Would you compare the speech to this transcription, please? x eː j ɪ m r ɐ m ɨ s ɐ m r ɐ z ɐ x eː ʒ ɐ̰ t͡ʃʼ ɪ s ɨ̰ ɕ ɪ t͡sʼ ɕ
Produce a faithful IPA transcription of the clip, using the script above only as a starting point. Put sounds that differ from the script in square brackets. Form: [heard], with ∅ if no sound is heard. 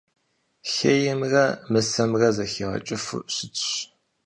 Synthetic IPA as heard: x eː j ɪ m r ɐ m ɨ s ɐ m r ɐ z ɐ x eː [ʁ] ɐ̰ t͡ʃʼ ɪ [f] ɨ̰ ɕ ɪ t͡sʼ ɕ

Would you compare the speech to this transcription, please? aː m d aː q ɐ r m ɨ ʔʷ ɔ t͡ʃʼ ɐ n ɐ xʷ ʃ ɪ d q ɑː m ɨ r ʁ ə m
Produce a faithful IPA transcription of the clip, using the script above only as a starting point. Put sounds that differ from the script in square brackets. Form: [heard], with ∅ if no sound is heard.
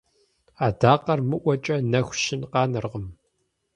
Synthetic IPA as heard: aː [∅] d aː q ɐ r m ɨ ʔʷ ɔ t͡ʃʼ ɐ n ɐ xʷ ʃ ɪ [n] q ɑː [n] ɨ r ʁ ə m

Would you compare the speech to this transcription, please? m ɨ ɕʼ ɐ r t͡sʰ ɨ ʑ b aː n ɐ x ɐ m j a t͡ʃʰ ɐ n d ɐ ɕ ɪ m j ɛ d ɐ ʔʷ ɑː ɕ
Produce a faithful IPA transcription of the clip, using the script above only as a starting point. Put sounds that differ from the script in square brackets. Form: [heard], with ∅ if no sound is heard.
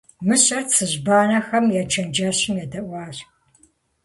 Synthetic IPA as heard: m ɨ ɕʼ ɐ r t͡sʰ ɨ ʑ b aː n ɐ x ɐ m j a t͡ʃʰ ɐ n [d͡ʒ] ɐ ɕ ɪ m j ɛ d ɐ ʔʷ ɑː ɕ

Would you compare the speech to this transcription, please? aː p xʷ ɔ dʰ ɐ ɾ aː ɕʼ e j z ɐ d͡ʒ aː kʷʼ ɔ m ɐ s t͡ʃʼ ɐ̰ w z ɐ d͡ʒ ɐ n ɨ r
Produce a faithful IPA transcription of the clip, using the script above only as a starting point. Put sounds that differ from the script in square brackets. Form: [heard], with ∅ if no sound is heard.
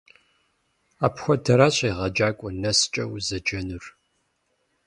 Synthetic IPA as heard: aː p xʷ ɔ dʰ ɐ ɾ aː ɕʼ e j [ʁ] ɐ d͡ʒ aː kʷʼ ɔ [n] ɐ s t͡ʃʼ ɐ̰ w z ɐ d͡ʒ ɐ n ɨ r

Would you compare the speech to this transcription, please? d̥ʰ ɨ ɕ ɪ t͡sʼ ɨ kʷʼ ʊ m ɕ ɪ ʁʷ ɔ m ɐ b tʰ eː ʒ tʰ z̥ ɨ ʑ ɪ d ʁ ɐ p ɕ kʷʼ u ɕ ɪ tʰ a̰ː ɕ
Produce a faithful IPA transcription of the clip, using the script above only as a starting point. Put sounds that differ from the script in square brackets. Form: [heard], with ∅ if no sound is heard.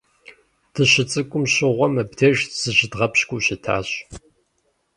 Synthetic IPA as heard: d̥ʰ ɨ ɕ ɪ t͡sʼ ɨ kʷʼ ʊ m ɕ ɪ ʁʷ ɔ m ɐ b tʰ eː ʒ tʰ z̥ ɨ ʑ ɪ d ʁ ɐ p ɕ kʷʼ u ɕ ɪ tʰ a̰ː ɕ

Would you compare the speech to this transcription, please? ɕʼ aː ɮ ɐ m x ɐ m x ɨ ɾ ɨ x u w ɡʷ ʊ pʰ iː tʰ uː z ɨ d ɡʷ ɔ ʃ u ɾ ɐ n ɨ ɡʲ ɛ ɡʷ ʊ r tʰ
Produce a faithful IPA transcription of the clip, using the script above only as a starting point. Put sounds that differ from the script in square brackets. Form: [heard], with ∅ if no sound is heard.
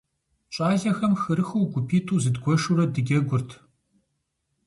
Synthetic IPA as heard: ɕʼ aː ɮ ɐ [∅] x ɐ m x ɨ ɾ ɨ x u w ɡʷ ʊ pʰ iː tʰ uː z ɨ d ɡʷ ɔ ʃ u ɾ ɐ [d] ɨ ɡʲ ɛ ɡʷ ʊ r tʰ

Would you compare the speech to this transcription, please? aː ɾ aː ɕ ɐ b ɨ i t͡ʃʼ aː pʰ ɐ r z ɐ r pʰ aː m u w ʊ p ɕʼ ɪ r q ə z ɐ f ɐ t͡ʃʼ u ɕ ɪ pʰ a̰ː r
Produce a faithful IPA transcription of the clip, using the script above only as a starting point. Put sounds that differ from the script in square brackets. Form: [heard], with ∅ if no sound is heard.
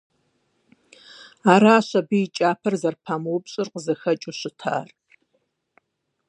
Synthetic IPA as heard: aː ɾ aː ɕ ɐ b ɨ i t͡ʃʼ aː pʰ ɐ r z ɐ r pʰ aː m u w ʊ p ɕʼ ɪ r q ə z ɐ [x] ɐ t͡ʃʼ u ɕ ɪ [tʰ] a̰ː r

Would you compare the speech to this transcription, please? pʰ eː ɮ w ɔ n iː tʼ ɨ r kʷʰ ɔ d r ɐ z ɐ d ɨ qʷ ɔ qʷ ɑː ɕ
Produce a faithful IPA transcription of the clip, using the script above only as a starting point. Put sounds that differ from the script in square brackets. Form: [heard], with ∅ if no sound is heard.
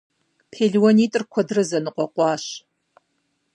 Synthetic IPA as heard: pʰ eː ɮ w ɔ n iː tʼ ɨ r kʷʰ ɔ d r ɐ z ɐ [n] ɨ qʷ ɔ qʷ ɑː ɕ

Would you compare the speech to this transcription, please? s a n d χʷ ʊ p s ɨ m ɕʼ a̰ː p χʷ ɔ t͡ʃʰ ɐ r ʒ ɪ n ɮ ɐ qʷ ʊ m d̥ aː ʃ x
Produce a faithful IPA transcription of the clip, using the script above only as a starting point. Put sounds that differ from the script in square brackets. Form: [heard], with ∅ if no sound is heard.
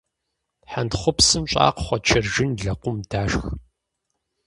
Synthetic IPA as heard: [ħ] a n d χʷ ʊ p s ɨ m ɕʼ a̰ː [q] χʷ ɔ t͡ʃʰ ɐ r ʒ ɪ n ɮ ɐ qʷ ʊ m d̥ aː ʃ x

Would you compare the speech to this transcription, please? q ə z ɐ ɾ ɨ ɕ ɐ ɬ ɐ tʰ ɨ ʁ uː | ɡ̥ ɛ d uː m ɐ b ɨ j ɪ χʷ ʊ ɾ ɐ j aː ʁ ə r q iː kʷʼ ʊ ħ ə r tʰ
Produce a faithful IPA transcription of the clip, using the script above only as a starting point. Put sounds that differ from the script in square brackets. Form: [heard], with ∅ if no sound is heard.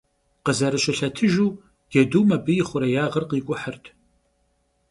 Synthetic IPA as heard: q ə z ɐ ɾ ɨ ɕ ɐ ɬ ɐ tʰ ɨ [ʒ] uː | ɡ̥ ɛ d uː m ɐ b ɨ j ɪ χʷ ʊ ɾ ɐ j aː ʁ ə r q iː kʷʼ ʊ ħ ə r tʰ

